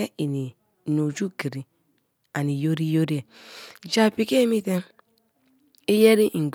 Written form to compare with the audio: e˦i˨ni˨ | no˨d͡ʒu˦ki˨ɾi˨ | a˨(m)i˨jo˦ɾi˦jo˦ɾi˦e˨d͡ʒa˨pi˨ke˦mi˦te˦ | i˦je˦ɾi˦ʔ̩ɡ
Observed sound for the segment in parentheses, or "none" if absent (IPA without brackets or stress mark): n